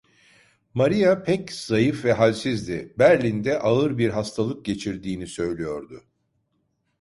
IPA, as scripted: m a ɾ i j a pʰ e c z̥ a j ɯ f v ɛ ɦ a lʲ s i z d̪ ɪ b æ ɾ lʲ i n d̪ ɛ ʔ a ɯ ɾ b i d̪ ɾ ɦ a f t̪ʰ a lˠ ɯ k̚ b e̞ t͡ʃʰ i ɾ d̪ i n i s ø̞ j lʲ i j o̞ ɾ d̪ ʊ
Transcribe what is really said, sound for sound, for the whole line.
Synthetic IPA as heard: m a ɾ i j a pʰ ɛ c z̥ a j ɯ f v ɛ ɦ a lʲ s i z d̪ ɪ b æ ɾ lʲ i n d̪ ɛ ʔ a ɯ ɾ b i ɾ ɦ a s t̪ʰ a lˠ ɯ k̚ ɟ e̞ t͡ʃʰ i ɾ d̪ iː n i s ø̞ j lʲ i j o̞ ɾ d̪ ʊ